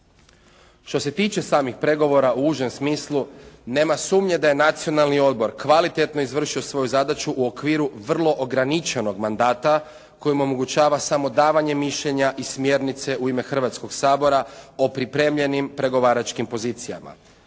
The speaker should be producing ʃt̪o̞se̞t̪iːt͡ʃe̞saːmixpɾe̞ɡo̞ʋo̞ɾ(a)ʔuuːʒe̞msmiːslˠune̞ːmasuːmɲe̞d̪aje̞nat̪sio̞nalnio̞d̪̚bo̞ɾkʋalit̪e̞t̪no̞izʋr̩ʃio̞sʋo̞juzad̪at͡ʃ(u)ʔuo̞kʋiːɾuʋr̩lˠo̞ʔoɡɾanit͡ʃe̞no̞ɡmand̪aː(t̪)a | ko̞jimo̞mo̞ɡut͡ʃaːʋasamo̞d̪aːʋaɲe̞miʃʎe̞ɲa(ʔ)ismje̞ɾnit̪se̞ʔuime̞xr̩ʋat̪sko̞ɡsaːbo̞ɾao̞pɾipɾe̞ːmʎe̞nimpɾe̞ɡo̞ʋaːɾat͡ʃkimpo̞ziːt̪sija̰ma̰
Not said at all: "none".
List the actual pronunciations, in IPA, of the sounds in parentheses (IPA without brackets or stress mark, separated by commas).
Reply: a, u, t̪, ʔ